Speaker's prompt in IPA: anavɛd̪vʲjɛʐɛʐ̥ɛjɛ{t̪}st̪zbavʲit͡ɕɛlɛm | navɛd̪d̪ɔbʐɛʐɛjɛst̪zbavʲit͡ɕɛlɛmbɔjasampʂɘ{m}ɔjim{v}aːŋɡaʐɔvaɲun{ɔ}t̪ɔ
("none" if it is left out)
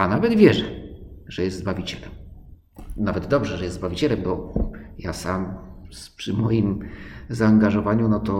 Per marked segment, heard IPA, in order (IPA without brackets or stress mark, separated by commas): none, m, z, ɔ